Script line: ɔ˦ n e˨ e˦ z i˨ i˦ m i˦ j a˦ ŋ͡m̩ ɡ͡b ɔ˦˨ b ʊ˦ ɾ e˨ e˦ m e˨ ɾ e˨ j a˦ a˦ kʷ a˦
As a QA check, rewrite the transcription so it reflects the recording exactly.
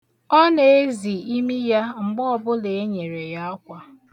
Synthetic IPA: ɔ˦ n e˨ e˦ z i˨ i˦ m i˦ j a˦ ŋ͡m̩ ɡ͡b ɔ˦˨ b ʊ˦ l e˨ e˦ ɲ e˨ ɾ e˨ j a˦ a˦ kʷ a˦